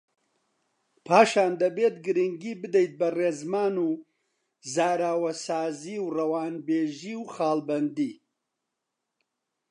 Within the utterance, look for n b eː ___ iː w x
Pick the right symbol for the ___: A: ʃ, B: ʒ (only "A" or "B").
B